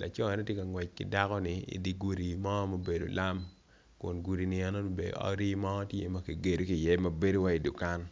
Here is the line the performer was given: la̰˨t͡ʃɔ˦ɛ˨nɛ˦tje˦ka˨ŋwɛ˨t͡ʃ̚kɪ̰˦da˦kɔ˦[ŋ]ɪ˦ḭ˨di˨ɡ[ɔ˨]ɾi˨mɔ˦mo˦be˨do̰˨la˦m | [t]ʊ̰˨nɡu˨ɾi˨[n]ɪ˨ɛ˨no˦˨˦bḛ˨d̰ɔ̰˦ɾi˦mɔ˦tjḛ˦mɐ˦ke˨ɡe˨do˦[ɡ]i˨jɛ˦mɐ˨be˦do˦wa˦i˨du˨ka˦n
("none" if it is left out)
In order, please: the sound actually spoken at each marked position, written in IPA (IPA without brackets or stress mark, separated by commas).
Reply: n, u˨, k, n, k